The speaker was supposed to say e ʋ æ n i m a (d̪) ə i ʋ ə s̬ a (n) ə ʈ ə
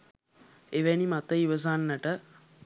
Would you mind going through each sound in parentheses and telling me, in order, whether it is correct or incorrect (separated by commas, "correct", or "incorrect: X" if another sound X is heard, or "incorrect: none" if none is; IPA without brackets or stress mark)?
incorrect: t̪, incorrect: nː